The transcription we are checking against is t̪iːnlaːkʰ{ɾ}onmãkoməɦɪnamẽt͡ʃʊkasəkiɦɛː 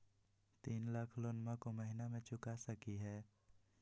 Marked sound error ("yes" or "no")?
yes